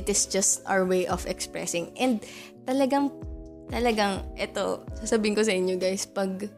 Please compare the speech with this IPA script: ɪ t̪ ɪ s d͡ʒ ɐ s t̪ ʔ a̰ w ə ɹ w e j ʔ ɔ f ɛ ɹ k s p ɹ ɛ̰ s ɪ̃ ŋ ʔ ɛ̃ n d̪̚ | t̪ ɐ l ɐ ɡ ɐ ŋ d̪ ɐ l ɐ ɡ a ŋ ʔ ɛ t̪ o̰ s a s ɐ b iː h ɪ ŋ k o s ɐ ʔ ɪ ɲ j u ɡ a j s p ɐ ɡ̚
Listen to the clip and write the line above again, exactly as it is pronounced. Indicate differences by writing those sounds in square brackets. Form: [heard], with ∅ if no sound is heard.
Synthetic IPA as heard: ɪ t̪ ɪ s d͡ʒ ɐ s t̪ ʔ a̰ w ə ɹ w e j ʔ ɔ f ɛ [∅] k s p ɹ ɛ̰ s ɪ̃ ŋ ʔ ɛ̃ n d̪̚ | t̪ ɐ l ɐ ɡ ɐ ŋ [t̪] ɐ l ɐ ɡ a ŋ ʔ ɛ t̪ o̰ s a s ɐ b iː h ɪ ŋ k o s ɐ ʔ ɪ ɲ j [o] ɡ a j s p ɐ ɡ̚